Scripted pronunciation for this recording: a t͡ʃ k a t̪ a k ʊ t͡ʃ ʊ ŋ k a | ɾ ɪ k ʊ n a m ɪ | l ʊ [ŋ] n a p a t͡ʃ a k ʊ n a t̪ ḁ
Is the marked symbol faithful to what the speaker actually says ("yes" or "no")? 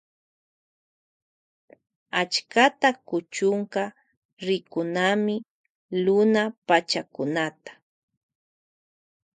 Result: no